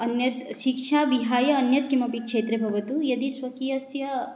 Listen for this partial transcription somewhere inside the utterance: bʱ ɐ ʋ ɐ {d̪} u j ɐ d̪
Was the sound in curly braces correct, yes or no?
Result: no